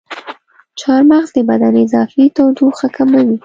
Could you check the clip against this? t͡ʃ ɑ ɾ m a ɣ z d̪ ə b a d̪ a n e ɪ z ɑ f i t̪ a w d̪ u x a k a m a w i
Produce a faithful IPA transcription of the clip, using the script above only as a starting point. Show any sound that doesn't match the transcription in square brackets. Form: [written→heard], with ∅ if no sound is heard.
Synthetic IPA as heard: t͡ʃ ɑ ɾ m a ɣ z d̪ ə b a d̪ a n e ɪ z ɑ f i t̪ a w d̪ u x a k a m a w i

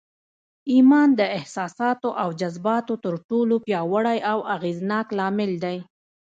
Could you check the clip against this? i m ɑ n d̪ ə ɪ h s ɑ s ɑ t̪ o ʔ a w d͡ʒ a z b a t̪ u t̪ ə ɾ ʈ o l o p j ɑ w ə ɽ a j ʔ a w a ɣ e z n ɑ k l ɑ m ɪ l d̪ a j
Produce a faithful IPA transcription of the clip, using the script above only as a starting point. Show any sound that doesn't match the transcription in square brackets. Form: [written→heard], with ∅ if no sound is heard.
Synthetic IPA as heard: i m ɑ n d̪ ə ɪ h s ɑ s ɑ t̪ o ʔ a w d͡ʒ a z b [a→ɑ] t̪ [u→o] t̪ ə ɾ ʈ o l o p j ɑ w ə ɽ a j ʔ a w a ɣ e z n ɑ k l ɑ m ɪ l d̪ a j

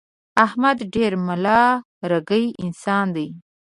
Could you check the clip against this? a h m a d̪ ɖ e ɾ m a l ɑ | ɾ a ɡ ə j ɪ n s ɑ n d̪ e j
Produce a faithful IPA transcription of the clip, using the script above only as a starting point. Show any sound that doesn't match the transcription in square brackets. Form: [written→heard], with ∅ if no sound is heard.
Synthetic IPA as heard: a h m a d̪ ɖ e ɾ m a l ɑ | ɾ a ɡ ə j ɪ n s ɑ n d̪ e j

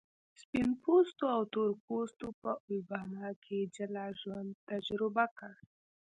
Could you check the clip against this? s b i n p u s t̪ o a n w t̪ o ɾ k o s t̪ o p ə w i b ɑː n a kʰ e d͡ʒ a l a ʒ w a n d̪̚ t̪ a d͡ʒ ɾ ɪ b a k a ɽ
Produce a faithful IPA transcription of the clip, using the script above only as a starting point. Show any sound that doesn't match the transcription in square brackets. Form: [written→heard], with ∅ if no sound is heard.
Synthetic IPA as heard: s [b→p] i n p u s t̪ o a [n→∅] w t̪ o ɾ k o s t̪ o p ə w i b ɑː n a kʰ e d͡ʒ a l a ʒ w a n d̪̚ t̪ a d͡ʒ ɾ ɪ b a k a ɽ

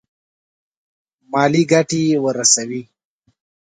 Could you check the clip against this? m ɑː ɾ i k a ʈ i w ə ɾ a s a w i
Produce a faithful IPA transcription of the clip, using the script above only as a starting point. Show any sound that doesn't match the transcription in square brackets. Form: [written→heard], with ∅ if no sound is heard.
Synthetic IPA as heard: m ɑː [ɾ→l] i [k→ɡ] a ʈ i w ə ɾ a s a w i

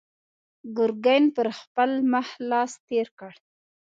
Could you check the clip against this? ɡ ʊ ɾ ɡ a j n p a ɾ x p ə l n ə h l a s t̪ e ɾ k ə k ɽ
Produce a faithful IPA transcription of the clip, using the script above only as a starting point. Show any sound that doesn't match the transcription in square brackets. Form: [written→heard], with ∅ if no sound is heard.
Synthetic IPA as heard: ɡ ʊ ɾ ɡ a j n p [a→ə] ɾ x p ə l [n→m] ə h l [a→ɑ] s t̪ e ɾ k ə [k→∅] ɽ

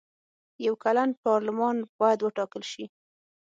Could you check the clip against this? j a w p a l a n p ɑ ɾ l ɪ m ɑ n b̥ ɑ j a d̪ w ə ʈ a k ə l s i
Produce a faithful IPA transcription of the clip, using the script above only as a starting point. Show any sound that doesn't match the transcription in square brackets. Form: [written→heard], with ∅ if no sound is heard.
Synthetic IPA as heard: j a w [p→k] a l a n p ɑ ɾ l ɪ m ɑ n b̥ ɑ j a d̪ w ə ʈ [a→ɑ] k ə l [s→ʃ] i

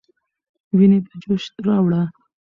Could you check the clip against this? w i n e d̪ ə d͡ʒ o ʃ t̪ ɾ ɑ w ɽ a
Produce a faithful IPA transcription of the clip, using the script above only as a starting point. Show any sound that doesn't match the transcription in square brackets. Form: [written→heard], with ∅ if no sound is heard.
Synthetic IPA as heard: w i n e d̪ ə d͡ʒ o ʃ t̪ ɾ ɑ w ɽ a

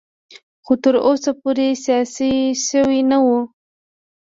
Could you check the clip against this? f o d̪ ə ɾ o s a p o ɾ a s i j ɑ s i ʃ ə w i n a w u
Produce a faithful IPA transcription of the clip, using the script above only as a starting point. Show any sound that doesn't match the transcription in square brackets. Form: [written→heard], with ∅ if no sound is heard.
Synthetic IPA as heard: [f→x] o [d̪→t̪] ə ɾ o s a p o ɾ [a→e] s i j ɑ s i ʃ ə w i n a w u

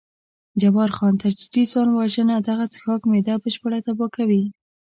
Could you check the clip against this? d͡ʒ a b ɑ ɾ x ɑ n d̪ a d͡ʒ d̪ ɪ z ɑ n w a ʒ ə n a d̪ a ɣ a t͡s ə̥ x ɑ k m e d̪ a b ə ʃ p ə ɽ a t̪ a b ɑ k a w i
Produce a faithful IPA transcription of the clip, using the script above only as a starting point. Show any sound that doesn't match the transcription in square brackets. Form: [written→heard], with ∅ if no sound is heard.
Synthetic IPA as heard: d͡ʒ a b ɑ ɾ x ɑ n [d̪→t̪] a d͡ʒ d̪ [ɪ→i] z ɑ n w a ʒ ə n a d̪ a ɣ a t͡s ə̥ x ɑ k m e d̪ a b ə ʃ p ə ɽ a t̪ a b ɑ k a w i

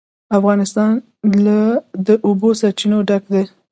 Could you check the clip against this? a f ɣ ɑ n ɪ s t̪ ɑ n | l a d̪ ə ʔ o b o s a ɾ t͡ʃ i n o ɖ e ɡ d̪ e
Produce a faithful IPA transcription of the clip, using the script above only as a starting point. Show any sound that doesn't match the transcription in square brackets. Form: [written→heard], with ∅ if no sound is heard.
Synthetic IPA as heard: a f ɣ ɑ n ɪ s t̪ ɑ n | l a d̪ ə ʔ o b o s a ɾ t͡ʃ i n o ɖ [e→a] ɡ d̪ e

